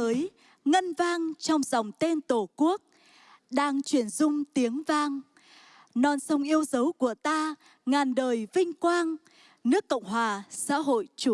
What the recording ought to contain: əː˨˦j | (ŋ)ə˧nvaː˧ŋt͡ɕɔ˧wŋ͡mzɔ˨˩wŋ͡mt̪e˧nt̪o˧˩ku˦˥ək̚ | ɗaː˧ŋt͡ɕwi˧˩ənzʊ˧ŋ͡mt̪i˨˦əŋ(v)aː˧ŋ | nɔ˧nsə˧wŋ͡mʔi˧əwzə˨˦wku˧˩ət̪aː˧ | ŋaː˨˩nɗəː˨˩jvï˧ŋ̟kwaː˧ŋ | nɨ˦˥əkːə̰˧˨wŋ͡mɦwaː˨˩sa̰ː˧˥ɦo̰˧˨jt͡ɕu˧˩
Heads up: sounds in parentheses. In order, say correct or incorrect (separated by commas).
correct, correct